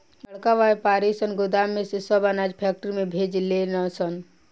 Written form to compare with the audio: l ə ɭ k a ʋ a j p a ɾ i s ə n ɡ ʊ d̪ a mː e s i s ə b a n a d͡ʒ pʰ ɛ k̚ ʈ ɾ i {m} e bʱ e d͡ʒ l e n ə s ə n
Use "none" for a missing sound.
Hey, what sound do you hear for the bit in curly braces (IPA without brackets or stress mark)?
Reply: m